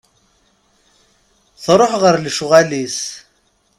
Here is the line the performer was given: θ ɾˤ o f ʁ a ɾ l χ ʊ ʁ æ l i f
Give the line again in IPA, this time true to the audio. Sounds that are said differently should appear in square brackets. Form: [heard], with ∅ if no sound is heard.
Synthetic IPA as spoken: θ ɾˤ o [ħ] ʁ [ə] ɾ l [ʃ] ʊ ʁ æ l i [s]